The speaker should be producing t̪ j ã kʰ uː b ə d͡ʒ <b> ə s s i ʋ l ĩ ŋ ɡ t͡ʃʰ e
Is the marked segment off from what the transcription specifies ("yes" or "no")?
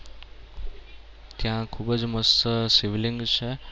yes